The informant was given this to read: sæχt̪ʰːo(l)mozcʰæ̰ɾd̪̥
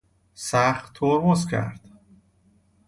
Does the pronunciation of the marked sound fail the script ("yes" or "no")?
yes